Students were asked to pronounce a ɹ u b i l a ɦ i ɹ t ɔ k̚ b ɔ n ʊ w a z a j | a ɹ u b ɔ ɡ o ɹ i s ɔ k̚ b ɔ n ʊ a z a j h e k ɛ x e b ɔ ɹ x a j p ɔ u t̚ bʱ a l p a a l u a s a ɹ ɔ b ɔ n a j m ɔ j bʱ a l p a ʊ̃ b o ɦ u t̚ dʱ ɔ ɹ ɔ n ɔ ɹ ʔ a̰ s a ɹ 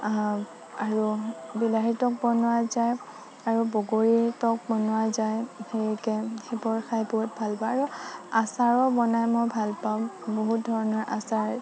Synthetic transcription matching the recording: a ɹ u b i l a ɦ i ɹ t ɔ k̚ b ɔ n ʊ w a z a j | a ɹ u b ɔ ɡ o ɹ i t ɔ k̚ b ɔ n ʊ a z a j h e k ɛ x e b ɔ ɹ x a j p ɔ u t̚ bʱ a l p a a ɹ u a s a ɹ ɔ b ɔ n a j m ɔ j bʱ a l p a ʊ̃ b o ɦ u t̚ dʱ ɔ ɹ ɔ n ɔ ɹ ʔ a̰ s a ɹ